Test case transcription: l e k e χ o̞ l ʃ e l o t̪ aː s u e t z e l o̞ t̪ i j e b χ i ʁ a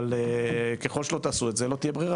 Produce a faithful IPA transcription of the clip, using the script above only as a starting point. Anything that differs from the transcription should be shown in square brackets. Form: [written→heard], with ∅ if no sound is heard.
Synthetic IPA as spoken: l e k e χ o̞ l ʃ e l o t̪ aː s u e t z e l o̞ t̪ i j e b [χ→ʁ] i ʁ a

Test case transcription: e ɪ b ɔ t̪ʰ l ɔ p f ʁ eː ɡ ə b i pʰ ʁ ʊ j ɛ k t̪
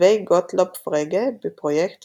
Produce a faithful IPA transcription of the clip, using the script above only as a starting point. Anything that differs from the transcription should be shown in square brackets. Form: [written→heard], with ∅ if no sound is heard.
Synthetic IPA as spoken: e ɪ [b→ɡ] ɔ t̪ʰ l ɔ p f ʁ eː ɡ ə b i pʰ ʁ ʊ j ɛ k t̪

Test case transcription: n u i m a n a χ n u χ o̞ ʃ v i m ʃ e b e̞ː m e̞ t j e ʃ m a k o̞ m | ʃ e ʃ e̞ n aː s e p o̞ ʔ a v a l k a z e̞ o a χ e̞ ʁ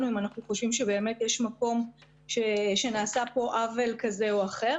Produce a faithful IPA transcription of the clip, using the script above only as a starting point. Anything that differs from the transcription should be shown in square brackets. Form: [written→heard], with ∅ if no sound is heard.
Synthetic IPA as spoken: n u i m a n a χ n u χ o̞ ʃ v i m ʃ e b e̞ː m e̞ t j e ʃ m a k o̞ m | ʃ e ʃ e̞ n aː s [e→a] p o̞ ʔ a v [a→e] l k a z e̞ o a χ e̞ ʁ

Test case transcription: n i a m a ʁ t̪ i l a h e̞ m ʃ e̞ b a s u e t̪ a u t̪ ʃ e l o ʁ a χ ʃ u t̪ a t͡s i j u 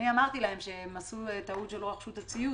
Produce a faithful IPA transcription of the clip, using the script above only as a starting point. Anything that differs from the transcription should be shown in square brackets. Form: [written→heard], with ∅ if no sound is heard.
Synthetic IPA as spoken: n i a m a ʁ t̪ i l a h e̞ m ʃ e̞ [b→m] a s u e t̪ a u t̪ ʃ e l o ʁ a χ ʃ u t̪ a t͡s i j u

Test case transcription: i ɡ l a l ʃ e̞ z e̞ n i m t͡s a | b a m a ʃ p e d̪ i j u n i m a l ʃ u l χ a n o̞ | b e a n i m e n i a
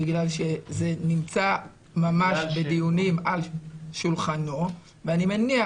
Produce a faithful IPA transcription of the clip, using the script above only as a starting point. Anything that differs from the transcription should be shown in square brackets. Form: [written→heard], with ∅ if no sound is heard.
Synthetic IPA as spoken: i ɡ l a l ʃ e̞ z e̞ n i m t͡s a | [b→m] a m a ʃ [p→b] e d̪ i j u n i m a l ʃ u l χ a n o̞ | [b→v] e a n i m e n i a

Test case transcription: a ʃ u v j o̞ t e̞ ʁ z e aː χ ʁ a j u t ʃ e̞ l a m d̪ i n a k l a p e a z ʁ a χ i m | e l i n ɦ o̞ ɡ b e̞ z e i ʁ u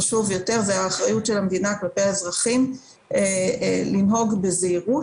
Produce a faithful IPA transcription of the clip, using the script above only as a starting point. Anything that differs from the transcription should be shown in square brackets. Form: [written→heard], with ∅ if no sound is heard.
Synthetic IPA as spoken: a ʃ u v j o̞ t e̞ ʁ z e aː χ ʁ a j u t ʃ e̞ l a m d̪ i n a k l a p e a z ʁ a χ i m | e l i n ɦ o̞ ɡ b e̞ z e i ʁ u

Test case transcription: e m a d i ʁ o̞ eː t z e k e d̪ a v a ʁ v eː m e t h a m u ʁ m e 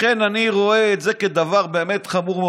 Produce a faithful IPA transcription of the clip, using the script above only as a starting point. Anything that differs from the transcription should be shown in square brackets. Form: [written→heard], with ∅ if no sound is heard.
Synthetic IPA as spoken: e [m→n] a [d→n] i ʁ o̞ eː t z e k e d̪ a v a ʁ [v→b] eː m e t [h→χ] a m u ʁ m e

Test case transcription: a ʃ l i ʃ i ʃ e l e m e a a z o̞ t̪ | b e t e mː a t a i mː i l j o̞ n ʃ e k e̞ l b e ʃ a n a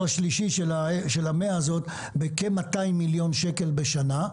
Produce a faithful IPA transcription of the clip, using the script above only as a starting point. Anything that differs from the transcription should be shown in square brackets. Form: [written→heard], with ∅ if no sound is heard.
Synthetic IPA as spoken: a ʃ l i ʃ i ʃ e l [e→a] m e a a z o̞ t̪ | b e [t→k] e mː a t a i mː i l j o̞ n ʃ e k e̞ l b e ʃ a n a

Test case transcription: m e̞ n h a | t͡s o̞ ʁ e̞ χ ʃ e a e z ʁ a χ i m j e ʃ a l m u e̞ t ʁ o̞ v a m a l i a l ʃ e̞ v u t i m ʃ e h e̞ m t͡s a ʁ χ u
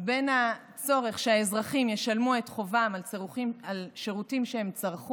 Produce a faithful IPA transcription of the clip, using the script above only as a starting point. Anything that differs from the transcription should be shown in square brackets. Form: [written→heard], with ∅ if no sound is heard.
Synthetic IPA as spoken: [m→b] e̞ n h a | t͡s o̞ ʁ e̞ χ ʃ e a e z ʁ a χ i m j e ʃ a l m u e̞ t [ʁ→χ] o̞ v a m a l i a l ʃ e̞ [v→ʁ] u t i m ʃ e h e̞ m t͡s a ʁ χ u

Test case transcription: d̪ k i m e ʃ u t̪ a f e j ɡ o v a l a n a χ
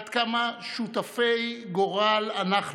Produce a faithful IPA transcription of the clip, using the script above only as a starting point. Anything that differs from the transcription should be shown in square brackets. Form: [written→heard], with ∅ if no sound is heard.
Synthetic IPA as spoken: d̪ k [i→a] m [e→a] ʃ u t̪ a f e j ɡ o [v→ʁ] a l a n a χ

